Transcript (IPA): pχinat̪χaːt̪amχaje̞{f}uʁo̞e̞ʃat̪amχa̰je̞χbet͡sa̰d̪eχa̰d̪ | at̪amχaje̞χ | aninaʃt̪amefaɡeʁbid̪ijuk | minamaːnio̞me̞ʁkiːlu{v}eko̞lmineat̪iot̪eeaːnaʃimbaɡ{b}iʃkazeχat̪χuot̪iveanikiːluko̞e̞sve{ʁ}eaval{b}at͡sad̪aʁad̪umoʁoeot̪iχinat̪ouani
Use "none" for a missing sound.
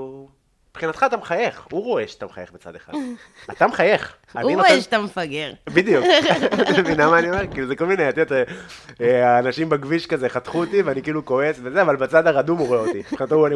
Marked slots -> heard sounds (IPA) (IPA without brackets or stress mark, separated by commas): χ, z, v, z, b